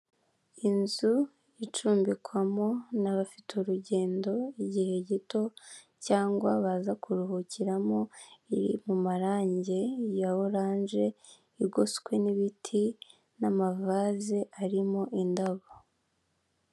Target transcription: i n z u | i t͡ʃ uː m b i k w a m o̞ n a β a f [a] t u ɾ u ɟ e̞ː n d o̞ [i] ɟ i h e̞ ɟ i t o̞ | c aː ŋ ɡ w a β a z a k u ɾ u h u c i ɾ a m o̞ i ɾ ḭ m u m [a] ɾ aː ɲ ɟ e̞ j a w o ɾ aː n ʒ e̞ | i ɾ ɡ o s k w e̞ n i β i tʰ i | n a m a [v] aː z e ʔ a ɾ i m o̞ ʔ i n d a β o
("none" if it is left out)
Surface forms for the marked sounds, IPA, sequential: i, i, a, v

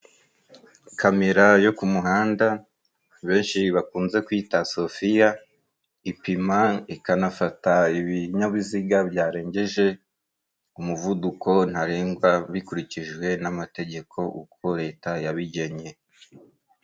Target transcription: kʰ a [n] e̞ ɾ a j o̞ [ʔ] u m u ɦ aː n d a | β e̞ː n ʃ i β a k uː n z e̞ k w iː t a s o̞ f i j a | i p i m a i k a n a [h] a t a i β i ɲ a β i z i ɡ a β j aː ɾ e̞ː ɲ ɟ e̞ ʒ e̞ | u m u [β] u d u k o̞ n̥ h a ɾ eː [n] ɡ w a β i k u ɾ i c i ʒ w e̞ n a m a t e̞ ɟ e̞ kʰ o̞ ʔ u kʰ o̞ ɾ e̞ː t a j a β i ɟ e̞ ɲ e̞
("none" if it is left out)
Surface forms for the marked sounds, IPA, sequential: m, k, f, v, ŋ

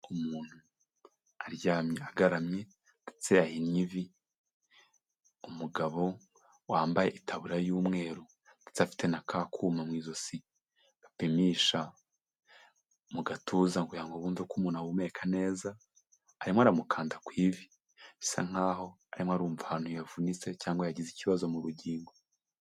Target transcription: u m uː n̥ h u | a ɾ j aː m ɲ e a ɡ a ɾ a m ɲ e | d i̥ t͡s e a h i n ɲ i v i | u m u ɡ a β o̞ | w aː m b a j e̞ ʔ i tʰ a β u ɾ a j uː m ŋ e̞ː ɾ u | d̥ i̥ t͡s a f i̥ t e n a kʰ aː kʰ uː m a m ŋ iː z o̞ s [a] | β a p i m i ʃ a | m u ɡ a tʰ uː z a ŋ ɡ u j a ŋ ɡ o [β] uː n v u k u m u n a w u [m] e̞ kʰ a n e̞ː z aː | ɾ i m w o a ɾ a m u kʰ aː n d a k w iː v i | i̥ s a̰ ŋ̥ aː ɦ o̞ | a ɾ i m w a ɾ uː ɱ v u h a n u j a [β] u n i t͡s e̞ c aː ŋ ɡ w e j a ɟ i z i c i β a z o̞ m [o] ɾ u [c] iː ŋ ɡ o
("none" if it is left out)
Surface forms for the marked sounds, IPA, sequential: i, β, m, v, u, ɟ

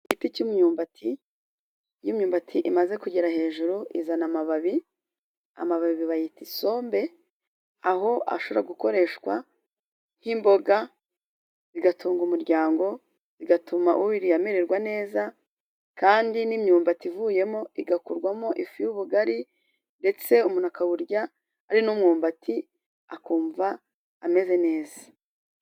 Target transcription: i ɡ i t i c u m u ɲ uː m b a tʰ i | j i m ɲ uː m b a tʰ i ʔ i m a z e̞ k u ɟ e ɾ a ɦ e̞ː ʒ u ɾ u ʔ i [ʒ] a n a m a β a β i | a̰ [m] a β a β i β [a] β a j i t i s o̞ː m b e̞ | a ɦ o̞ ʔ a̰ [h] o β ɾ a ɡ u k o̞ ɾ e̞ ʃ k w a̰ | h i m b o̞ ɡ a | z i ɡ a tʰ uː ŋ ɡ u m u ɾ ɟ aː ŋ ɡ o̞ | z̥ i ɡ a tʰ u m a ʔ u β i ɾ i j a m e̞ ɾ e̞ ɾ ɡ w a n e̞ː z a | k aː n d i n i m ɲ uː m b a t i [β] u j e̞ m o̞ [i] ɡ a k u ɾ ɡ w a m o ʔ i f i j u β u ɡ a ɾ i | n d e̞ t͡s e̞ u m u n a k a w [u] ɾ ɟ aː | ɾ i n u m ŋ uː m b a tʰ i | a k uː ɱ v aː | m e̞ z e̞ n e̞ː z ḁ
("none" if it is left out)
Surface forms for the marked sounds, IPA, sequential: z, m, i, ʃ, v, i, u

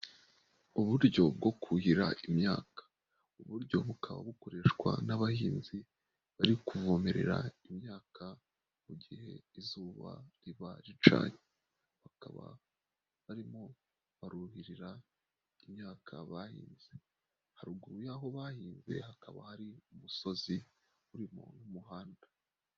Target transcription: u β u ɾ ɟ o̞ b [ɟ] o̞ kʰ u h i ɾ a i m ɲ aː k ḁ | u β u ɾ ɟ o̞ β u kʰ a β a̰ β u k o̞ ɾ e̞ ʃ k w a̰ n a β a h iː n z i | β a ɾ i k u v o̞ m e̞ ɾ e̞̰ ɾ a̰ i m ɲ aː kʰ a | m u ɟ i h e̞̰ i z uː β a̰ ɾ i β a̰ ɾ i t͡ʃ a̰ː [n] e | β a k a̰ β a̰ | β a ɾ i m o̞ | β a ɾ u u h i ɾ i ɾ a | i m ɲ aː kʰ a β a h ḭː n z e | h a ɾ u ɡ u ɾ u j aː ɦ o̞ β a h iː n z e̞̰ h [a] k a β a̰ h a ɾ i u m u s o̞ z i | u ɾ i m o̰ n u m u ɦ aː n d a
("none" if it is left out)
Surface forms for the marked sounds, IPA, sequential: ɡ, ɲ, a

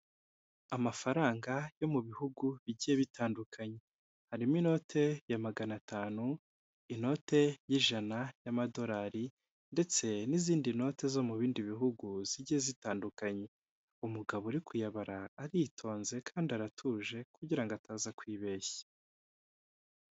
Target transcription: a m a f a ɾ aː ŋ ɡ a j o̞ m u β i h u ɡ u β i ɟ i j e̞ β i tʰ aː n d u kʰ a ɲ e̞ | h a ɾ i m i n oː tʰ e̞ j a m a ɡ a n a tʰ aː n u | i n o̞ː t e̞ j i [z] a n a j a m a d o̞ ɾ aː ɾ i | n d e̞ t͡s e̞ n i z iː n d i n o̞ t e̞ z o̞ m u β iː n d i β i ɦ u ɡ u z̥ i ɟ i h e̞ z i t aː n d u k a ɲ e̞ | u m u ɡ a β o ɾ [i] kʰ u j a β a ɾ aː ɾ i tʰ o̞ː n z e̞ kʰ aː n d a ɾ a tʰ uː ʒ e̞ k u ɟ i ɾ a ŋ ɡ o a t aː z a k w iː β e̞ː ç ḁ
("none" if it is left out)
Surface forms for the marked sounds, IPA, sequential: ʒ, i

